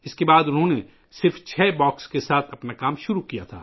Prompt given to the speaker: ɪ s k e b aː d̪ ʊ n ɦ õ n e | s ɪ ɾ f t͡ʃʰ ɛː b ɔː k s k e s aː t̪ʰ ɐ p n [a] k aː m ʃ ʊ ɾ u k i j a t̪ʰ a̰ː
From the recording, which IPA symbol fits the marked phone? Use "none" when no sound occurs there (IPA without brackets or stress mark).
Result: a